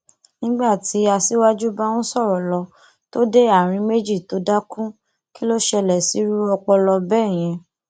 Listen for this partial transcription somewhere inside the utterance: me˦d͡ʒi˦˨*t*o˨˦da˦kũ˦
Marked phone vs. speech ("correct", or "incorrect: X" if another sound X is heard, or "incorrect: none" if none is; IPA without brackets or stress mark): correct